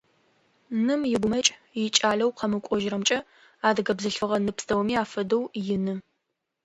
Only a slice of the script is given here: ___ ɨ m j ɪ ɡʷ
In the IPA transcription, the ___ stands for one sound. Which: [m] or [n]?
n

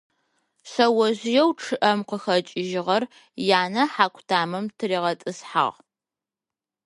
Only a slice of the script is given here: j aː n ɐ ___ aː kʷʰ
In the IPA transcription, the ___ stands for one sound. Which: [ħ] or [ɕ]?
ħ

